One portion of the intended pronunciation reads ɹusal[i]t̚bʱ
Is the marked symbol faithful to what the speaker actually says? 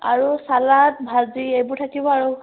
no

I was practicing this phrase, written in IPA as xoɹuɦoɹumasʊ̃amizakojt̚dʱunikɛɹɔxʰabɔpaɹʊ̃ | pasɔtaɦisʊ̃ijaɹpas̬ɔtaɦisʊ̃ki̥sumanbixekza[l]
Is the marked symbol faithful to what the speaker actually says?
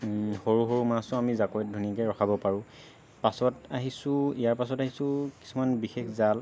yes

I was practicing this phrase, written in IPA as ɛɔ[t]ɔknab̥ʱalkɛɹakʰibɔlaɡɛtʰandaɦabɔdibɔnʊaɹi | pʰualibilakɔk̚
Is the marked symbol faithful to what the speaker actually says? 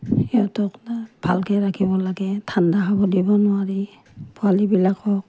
yes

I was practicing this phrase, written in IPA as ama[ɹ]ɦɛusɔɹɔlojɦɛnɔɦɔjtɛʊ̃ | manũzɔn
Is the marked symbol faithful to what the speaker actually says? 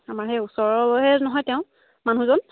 yes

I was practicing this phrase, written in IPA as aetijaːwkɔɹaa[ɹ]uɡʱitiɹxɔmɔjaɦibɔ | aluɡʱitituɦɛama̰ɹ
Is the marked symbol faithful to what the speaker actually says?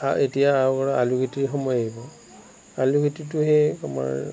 no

